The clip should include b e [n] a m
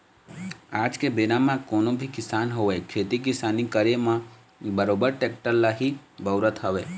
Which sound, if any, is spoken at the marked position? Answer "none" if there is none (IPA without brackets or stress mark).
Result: n